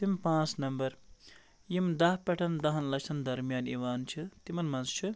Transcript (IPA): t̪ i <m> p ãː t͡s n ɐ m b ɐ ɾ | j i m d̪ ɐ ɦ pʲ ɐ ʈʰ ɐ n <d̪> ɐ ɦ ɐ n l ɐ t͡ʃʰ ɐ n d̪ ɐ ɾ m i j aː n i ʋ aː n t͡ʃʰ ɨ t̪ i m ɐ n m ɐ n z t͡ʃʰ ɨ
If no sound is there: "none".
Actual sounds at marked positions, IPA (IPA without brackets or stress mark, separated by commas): m, d̪